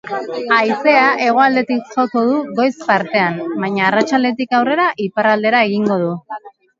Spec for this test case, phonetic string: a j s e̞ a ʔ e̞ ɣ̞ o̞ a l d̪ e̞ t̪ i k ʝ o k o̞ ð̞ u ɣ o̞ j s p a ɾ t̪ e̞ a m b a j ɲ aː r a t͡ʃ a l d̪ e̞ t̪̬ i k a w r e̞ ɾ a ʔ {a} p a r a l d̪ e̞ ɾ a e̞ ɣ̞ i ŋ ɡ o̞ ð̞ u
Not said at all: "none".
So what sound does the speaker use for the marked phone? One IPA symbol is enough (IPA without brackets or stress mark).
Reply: i